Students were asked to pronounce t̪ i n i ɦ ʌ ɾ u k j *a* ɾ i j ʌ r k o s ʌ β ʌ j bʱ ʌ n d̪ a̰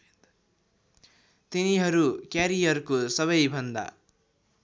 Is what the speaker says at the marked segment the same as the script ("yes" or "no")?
yes